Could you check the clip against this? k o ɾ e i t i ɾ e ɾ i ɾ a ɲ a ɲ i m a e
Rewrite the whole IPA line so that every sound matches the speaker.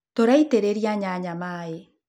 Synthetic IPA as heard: t o ɾ a i t e ɾ e ɾ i a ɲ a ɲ a m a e